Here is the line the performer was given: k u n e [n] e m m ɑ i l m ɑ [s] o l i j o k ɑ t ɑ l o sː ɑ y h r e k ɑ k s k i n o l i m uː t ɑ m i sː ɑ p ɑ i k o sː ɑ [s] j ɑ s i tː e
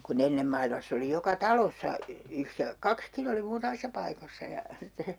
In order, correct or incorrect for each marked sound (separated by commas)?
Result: incorrect, incorrect, incorrect